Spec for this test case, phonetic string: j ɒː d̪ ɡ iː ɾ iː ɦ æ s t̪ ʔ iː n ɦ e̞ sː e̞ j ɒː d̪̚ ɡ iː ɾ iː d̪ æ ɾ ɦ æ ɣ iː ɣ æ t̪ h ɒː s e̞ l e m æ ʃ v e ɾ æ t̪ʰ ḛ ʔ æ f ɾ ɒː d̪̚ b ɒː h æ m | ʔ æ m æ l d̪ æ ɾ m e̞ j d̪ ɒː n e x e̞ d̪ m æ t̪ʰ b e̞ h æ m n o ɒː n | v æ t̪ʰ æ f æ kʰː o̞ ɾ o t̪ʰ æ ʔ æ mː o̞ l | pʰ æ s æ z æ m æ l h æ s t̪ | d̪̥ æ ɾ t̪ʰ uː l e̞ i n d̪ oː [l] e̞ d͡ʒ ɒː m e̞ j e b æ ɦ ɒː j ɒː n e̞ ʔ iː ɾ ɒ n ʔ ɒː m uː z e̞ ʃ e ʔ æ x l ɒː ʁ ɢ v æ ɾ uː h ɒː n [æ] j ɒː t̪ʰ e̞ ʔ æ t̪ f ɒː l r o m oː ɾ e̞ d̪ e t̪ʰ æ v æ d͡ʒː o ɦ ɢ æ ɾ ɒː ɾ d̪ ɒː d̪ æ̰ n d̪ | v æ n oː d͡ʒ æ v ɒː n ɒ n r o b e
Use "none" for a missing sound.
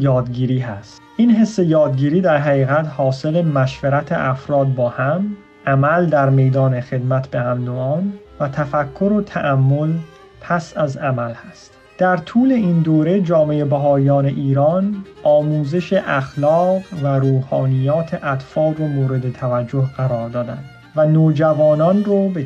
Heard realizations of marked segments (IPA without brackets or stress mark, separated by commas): ɾ, i